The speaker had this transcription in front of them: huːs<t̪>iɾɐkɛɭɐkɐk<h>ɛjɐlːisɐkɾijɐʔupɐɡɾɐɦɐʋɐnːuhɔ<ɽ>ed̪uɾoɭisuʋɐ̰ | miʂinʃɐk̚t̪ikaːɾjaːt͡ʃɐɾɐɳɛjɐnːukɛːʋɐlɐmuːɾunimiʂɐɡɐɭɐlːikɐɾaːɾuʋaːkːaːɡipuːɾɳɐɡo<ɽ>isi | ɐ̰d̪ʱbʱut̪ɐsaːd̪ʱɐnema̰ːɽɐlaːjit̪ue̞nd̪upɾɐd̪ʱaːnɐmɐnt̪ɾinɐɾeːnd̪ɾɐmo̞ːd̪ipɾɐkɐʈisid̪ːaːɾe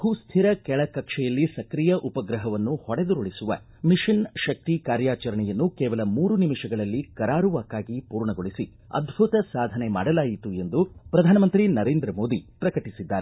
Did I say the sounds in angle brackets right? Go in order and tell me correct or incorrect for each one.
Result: incorrect, incorrect, correct, incorrect

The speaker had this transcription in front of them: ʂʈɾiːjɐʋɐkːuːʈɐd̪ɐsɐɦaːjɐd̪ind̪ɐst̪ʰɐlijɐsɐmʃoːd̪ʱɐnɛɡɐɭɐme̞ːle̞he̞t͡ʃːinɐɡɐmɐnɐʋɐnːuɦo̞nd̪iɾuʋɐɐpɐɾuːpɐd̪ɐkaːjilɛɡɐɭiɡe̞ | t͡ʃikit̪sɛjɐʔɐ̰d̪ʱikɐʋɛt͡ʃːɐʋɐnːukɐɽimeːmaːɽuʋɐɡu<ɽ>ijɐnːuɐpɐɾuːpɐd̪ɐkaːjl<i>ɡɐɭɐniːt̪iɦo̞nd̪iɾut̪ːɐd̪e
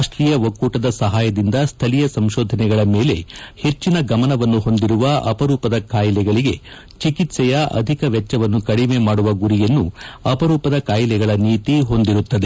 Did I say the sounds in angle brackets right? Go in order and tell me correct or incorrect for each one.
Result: incorrect, incorrect

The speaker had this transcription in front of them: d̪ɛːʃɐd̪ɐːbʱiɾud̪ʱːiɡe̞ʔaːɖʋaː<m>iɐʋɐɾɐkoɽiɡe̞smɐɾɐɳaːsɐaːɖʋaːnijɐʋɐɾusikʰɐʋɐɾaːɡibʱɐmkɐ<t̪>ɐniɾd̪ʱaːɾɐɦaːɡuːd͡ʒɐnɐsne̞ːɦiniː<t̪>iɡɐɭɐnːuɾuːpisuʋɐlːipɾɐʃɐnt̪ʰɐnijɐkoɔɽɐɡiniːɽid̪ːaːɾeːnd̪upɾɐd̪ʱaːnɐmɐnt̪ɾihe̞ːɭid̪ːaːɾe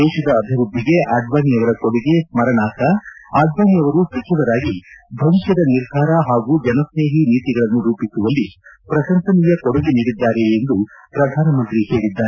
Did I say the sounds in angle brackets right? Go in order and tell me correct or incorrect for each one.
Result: incorrect, incorrect, correct

